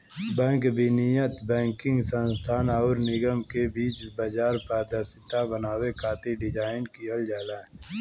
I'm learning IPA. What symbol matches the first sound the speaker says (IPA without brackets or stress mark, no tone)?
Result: b